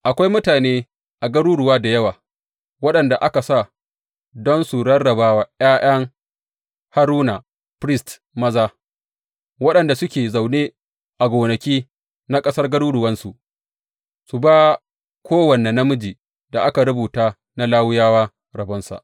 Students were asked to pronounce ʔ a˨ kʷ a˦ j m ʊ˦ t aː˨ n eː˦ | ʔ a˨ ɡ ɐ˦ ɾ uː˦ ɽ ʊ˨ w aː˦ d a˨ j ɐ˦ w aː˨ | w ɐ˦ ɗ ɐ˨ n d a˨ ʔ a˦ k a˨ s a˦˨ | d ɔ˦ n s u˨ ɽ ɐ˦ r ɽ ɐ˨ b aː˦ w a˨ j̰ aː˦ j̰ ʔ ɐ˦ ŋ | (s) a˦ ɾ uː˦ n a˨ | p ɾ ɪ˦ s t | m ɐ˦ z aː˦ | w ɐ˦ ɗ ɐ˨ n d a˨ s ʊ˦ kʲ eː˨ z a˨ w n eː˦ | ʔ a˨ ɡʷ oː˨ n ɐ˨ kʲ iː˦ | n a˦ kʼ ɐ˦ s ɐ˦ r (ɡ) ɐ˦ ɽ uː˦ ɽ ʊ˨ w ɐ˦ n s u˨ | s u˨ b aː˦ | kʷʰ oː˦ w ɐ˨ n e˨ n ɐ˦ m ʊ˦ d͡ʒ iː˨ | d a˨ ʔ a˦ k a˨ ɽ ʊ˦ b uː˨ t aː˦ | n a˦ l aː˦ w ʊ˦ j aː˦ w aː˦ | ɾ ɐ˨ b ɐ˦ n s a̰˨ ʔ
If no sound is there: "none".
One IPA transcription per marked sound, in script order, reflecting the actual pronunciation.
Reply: h, ɡ

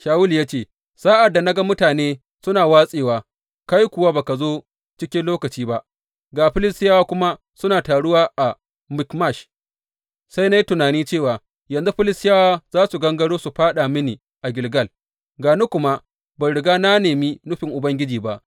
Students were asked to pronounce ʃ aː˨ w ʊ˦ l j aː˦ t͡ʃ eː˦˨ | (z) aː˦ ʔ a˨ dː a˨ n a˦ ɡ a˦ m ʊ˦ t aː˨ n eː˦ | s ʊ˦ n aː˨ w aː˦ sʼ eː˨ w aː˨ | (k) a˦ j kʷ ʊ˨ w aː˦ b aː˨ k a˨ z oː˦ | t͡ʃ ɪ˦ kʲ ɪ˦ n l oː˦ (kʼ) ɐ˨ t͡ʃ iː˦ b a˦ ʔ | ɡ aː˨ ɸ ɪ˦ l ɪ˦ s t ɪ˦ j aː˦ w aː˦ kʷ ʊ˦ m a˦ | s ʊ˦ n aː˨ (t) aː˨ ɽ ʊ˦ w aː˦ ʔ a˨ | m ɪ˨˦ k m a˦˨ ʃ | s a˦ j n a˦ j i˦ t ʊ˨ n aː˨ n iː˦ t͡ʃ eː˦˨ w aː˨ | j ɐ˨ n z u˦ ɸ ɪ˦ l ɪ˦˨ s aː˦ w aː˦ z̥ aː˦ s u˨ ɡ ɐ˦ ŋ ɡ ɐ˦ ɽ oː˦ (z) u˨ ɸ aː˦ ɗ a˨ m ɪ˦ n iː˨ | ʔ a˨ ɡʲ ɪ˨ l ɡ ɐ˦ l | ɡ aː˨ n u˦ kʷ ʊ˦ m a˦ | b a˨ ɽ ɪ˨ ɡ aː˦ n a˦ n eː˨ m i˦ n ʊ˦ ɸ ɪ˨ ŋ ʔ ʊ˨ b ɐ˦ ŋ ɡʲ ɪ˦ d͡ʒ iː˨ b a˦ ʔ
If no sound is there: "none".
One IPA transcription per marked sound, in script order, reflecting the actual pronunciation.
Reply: s, k, k, t, s

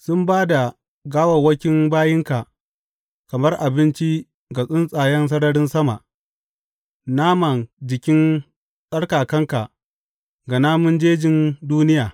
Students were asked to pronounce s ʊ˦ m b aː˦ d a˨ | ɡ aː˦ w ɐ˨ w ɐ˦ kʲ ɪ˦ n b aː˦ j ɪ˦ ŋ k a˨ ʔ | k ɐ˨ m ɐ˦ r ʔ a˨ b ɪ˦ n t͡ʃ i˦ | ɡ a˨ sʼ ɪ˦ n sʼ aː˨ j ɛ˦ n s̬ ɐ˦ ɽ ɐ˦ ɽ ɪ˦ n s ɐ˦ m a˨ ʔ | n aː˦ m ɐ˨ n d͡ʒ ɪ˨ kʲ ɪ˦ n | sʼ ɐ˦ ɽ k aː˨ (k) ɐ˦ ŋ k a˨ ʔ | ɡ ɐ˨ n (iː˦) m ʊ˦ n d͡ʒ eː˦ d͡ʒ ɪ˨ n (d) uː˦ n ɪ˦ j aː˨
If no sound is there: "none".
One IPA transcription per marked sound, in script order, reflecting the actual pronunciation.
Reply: k, aː˦, d

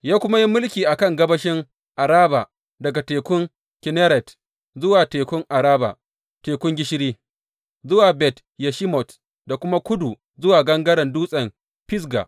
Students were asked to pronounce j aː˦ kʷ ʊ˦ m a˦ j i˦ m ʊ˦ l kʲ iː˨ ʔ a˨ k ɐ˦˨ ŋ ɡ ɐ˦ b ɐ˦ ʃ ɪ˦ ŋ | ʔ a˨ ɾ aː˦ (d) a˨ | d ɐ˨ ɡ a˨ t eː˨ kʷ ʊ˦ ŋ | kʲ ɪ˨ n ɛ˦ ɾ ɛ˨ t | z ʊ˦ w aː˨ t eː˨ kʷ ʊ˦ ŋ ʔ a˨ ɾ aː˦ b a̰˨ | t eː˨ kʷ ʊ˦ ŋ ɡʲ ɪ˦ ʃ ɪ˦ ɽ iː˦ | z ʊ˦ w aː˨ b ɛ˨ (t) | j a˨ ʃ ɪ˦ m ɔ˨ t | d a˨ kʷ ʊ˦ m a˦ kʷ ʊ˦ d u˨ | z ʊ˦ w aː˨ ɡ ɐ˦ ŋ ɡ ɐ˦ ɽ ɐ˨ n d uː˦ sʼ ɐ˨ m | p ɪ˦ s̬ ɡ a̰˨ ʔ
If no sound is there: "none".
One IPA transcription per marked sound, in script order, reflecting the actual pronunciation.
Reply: b, t

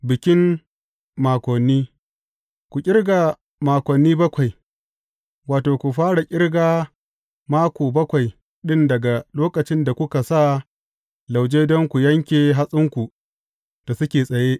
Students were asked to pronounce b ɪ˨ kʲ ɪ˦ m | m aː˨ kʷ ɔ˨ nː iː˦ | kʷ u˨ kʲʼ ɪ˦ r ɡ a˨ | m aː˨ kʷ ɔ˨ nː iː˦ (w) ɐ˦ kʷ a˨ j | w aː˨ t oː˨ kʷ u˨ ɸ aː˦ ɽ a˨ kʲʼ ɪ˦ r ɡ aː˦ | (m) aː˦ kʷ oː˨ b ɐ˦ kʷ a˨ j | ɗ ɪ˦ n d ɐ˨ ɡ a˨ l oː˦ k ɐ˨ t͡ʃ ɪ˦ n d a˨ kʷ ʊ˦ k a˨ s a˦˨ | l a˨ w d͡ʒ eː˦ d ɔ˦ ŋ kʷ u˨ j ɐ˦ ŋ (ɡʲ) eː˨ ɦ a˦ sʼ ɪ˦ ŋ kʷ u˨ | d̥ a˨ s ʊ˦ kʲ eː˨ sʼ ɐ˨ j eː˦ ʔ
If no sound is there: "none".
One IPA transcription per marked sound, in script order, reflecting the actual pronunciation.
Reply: b, m, kʲ

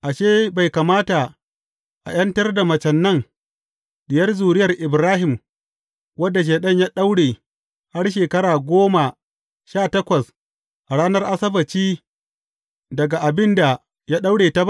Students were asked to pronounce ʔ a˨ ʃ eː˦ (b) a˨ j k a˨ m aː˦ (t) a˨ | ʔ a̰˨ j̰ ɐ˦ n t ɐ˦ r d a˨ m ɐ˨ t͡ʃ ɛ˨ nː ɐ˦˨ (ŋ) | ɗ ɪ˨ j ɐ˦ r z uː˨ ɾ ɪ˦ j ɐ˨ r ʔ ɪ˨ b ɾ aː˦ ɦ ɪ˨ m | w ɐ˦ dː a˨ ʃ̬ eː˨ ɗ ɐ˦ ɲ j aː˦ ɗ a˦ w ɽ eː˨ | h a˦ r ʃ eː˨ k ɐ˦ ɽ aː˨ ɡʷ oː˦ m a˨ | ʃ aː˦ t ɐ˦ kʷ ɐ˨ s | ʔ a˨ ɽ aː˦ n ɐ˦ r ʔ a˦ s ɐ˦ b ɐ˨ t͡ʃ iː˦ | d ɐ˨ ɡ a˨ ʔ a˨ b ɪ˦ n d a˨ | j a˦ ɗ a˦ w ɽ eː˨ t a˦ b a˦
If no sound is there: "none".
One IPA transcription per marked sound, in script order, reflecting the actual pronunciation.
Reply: b, t, ŋ

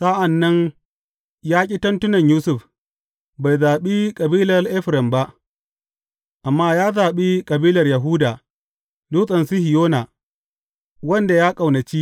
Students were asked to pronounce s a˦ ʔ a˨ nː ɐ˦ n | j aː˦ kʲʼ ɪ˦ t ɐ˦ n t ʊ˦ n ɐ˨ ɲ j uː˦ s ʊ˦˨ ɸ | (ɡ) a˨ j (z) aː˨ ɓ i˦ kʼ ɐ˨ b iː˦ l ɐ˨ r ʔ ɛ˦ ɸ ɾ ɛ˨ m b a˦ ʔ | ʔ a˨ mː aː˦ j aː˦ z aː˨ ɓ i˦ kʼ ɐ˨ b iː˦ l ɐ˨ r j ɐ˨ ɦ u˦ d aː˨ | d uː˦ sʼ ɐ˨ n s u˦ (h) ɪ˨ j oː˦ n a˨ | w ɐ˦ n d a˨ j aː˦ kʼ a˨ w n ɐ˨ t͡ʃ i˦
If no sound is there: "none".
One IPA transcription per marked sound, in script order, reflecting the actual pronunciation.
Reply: b, z, h

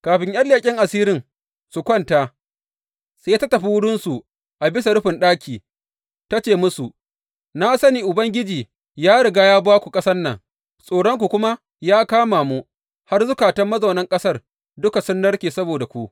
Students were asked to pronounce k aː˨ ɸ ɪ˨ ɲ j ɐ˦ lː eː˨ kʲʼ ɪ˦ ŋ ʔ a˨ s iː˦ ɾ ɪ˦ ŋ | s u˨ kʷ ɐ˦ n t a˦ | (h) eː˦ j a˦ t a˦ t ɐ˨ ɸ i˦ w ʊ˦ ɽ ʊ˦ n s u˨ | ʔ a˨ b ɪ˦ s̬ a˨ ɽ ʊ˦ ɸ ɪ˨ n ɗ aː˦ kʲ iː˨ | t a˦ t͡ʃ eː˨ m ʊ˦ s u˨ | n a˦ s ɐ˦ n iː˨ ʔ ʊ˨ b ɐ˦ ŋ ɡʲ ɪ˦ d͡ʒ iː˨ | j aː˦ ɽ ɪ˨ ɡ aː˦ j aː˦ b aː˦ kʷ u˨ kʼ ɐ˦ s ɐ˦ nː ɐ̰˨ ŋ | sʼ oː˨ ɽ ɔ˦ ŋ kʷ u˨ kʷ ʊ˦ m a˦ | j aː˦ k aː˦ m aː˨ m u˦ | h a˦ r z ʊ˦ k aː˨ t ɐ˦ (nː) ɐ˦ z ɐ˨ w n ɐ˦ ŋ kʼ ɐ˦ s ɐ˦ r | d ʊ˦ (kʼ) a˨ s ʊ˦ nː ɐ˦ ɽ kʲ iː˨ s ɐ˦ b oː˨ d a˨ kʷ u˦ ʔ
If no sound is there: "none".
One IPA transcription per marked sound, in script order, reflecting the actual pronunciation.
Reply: s, mː, k

